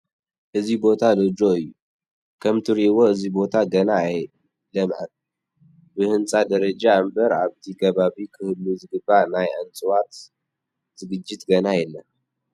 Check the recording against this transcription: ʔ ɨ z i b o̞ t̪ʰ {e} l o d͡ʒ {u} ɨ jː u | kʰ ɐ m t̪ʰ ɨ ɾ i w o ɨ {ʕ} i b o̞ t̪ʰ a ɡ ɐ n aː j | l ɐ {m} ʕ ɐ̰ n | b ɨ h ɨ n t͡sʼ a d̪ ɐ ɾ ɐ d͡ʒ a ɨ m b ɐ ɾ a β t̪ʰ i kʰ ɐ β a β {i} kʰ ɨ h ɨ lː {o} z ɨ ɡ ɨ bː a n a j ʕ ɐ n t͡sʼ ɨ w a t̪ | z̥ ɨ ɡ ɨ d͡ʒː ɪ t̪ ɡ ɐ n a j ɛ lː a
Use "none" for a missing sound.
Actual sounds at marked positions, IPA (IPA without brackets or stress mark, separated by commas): a, o, z, m, i, u